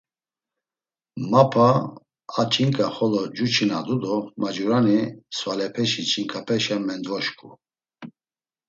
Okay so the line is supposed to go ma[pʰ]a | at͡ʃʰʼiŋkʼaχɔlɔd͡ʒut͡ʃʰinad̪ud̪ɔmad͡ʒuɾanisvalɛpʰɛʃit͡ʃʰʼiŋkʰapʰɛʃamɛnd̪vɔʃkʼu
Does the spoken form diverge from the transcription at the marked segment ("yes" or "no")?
no